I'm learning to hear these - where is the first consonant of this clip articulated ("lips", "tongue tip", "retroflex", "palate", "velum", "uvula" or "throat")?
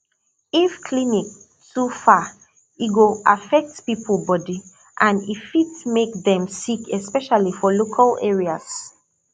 lips